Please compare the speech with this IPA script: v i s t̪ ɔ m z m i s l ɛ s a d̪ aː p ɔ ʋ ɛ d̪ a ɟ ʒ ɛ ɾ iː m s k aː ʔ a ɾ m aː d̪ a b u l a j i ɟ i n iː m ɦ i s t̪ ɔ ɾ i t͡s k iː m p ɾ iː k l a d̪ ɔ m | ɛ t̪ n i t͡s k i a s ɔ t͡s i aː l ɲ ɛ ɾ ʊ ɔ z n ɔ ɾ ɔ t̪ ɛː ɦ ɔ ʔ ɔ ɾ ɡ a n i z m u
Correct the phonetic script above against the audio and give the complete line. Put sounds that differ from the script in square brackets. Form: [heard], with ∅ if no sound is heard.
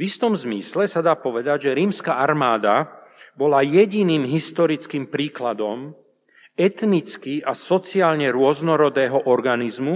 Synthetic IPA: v i s t̪ ɔ m z m i s l ɛ s a d̪ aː p ɔ ʋ ɛ d̪ a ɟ ʒ ɛ ɾ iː m s k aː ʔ a ɾ m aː d̪ a b [ɔ] l a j [ɛ] ɟ i n iː m ɦ i s t̪ ɔ ɾ i t͡s k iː m p ɾ iː k l a d̪ ɔ m | ɛ t̪ n i t͡s k i a s ɔ t͡s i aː l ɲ ɛ ɾ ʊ ɔ z n ɔ ɾ ɔ [d̪] ɛː ɦ ɔ ʔ ɔ ɾ ɡ a n i z m u